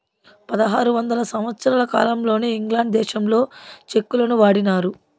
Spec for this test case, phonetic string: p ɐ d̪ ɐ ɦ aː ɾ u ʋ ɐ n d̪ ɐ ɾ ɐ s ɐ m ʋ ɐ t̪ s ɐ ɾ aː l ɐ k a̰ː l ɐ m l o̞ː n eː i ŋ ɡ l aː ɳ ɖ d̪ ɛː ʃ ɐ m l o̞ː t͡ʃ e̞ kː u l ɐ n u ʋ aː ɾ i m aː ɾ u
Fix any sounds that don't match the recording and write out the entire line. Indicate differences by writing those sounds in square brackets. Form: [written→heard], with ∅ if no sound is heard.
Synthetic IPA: p ɐ d̪ ɐ ɦ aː ɾ u ʋ ɐ n d̪ ɐ [ɾ→l] ɐ s ɐ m ʋ ɐ t̪ s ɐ ɾ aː l ɐ k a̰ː l ɐ m l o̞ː n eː i ŋ ɡ l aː ɳ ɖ d̪ ɛː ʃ ɐ m l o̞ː t͡ʃ e̞ kː u l ɐ n u ʋ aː [ɾ→ɽ] i [m→n] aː ɾ u

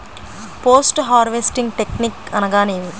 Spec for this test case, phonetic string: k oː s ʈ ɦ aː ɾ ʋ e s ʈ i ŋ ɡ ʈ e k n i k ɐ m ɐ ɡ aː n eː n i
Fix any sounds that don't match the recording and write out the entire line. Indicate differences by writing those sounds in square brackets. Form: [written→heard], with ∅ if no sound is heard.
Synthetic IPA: [k→p] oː s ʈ ɦ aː ɾ ʋ e s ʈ i ŋ ɡ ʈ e k n i k ɐ [m→n] ɐ ɡ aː n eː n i

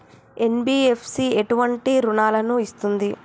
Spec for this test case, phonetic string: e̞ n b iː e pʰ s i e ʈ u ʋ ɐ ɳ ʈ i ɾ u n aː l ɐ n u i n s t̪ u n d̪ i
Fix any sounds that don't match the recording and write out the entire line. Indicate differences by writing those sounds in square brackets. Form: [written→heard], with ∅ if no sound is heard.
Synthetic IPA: e̞ n b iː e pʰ s i e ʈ u ʋ ɐ ɳ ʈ i ɾ u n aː l ɐ n u i [n→∅] s t̪ u n d̪ i

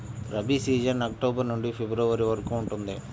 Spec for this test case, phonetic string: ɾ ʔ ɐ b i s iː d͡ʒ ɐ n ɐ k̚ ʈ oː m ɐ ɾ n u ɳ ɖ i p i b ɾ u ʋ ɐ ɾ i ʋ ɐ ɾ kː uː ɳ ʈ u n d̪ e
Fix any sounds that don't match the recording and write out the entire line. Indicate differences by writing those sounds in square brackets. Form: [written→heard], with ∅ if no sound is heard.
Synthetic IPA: ɾ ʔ ɐ b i s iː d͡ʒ ɐ n ɐ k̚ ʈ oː [m→b] ɐ ɾ n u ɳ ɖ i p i b ɾ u ʋ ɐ ɾ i ʋ ɐ ɾ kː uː ɳ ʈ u n d̪ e

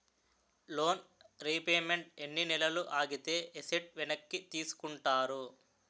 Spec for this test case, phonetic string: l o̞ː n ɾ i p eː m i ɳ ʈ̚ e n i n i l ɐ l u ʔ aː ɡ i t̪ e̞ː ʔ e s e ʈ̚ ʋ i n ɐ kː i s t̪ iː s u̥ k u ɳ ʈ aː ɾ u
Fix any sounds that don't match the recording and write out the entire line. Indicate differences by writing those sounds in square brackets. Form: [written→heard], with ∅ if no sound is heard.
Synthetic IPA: l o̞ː n ɾ i p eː m [i→e] ɳ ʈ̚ e [n→nː] i n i l ɐ l u ʔ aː ɡ i t̪ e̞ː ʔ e s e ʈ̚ ʋ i n ɐ kː i [s→∅] t̪ iː s u̥ k u ɳ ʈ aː ɾ u

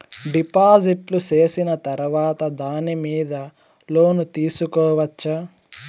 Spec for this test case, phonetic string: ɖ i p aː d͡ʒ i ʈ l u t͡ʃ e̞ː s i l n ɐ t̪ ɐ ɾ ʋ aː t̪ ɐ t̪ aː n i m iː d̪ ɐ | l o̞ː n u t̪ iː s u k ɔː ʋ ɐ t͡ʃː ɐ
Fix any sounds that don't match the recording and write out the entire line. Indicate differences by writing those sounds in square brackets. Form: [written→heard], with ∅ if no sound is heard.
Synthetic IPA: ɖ i p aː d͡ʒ i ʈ l u t͡ʃ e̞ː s i [l→∅] n ɐ t̪ ɐ ɾ ʋ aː t̪ ɐ [t̪→d̪] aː n i m iː d̪ ɐ | l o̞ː n u t̪ iː s u k ɔː ʋ ɐ t͡ʃː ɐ

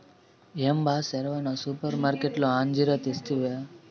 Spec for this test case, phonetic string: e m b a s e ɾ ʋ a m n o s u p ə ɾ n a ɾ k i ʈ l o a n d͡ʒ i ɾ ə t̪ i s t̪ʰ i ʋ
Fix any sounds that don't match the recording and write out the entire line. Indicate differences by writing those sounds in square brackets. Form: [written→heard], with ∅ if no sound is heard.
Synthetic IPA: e m b a s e ɾ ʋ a [m→∅] n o s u p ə ɾ [n→m] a ɾ k [i→e] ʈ l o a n d͡ʒ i ɾ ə t̪ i s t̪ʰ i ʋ

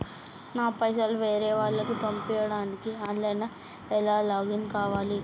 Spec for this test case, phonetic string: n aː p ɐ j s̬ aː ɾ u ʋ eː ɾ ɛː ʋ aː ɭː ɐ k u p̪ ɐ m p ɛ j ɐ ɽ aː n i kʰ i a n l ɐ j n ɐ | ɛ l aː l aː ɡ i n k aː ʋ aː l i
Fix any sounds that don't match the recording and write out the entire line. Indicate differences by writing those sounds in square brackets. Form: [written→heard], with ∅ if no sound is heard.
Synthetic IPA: n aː p ɐ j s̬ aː [ɾ→l] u ʋ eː ɾ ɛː ʋ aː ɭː ɐ k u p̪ ɐ m p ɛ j ɐ ɽ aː n i [kʰ→k] i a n l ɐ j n ɐ | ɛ l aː l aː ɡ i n k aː ʋ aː l i

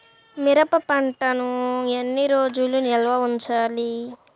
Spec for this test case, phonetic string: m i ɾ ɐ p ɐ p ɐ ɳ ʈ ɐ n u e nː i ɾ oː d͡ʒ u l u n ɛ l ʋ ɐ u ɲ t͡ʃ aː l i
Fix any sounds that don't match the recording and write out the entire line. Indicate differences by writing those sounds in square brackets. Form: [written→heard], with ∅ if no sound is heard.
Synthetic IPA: m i ɾ ɐ p ɐ p ɐ ɳ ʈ ɐ n u e nː i ɾ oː d͡ʒ u l u n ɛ l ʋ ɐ u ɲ t͡ʃ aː l i

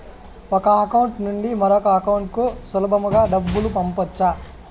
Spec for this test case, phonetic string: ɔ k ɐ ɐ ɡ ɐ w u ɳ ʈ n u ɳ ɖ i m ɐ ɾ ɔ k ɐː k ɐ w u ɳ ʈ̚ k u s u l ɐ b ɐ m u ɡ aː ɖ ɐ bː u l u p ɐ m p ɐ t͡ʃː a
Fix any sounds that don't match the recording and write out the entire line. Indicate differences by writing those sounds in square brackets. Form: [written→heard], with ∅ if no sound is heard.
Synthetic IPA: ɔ k ɐ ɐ [ɡ→k] ɐ w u ɳ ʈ n u ɳ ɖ i m ɐ ɾ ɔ k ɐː k ɐ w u ɳ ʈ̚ k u s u l ɐ b ɐ m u ɡ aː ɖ ɐ bː u l u p ɐ m p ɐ t͡ʃː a

